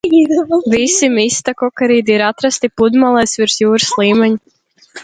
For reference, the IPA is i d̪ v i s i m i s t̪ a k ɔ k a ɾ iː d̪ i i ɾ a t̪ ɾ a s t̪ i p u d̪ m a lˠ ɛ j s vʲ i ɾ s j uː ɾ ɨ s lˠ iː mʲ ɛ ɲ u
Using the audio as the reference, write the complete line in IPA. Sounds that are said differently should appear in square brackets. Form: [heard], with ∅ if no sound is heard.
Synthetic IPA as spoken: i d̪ v i s i m i s t̪ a k ɔ k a ɾ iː d̪ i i ɾ a t̪ ɾ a s t̪ i p u d̪ m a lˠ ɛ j s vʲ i ɾ s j uː ɾ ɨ s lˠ iː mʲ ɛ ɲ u